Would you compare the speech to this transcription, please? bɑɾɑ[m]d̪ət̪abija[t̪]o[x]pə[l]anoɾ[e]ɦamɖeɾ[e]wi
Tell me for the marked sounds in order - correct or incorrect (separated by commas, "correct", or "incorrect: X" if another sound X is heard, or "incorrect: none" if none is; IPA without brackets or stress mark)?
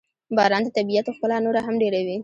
incorrect: n, correct, correct, correct, incorrect: a, incorrect: a